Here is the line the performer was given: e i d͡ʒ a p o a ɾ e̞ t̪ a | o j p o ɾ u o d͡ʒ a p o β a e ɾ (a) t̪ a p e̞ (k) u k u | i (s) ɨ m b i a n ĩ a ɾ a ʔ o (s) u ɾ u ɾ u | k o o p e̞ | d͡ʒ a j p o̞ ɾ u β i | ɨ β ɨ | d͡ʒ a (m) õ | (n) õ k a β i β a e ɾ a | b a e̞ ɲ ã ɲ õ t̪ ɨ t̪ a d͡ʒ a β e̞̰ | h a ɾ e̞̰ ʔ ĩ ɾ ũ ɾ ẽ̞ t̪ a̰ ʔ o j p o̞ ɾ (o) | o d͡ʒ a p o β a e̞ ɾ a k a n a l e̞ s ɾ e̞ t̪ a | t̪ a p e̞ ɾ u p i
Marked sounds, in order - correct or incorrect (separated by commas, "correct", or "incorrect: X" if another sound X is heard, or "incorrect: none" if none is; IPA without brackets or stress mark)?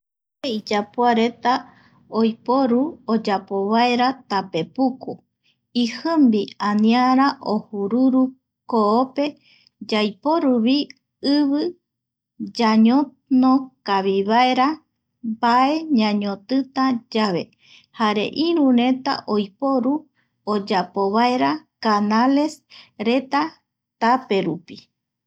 correct, incorrect: p, incorrect: h, incorrect: h, incorrect: ɲ, correct, incorrect: u